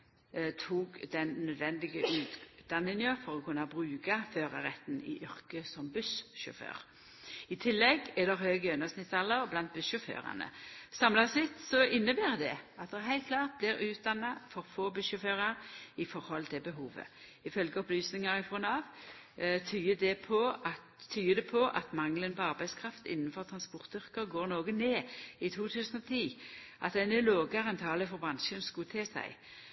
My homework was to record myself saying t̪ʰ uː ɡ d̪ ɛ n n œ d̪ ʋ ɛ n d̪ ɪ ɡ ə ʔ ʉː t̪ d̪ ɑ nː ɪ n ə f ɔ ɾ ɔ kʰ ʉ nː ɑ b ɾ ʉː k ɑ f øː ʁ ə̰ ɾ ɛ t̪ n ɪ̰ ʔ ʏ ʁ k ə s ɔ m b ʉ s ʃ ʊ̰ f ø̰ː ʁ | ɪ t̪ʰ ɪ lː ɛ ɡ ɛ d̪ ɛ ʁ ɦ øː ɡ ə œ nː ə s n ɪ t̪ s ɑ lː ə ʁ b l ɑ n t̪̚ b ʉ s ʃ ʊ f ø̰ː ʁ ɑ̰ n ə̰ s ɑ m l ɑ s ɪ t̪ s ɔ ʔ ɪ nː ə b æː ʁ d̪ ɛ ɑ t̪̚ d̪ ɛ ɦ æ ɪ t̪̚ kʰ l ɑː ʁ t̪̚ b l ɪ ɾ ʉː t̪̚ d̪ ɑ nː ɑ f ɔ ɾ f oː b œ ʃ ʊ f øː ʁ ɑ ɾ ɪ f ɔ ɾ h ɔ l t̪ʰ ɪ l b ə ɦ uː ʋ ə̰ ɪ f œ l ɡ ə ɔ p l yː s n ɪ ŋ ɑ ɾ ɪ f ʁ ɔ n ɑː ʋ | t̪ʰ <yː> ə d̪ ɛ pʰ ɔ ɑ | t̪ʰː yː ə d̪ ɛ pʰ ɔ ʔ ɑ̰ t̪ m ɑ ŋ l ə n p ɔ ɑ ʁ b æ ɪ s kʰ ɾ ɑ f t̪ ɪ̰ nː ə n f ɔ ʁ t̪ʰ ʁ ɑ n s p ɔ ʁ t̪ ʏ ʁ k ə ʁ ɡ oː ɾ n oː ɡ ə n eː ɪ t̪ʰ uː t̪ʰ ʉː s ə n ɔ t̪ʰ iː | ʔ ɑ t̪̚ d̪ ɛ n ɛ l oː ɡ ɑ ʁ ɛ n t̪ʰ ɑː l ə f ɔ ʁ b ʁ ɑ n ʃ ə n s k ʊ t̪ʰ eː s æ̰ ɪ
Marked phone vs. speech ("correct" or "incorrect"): correct